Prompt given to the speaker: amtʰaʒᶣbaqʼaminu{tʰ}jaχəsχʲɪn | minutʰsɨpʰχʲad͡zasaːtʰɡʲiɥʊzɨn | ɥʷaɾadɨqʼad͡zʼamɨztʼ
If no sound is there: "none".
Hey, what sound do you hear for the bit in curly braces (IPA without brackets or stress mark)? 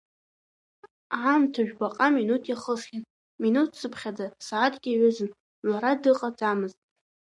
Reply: tʰ